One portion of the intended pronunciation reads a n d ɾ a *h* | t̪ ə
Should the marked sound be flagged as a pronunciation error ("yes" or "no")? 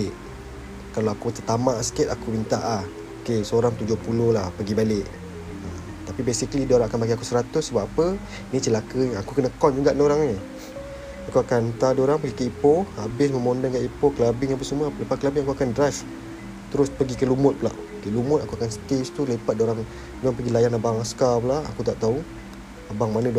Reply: yes